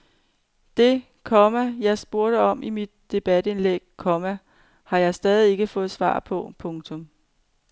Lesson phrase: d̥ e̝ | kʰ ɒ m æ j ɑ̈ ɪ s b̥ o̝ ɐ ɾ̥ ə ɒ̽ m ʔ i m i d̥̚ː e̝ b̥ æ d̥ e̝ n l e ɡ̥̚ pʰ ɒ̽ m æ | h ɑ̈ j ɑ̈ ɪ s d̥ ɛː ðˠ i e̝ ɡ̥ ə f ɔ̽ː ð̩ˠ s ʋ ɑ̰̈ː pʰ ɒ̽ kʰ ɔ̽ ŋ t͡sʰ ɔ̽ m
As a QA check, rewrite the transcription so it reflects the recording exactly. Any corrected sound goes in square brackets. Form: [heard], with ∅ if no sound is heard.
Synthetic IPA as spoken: d̥ e̝ | kʰ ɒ m æ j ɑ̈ ɪ s b̥ o̝ ɐ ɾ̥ ə ɒ̽ m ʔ i m i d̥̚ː e̝ b̥ æ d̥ e̝ n l e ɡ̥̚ [kʰ] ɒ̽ m æ | h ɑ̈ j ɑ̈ ɪ s d̥ ɛː ðˠ i e̝ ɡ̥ ə f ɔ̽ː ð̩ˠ s ʋ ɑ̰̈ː pʰ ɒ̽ [pʰ] ɔ̽ ŋ t͡sʰ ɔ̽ m